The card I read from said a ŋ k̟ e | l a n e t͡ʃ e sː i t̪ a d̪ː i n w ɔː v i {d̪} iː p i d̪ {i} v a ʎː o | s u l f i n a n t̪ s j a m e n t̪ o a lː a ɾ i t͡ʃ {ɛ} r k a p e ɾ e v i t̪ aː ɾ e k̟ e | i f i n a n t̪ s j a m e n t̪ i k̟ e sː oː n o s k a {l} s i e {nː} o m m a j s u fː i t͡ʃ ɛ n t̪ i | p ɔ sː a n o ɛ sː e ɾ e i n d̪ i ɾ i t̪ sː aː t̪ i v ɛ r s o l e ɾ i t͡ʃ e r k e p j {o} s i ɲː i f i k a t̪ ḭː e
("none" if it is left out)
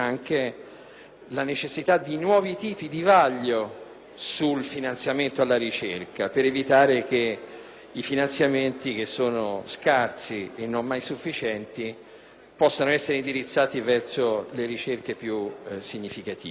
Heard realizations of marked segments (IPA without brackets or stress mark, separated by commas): t̪, i, e, r, nː, u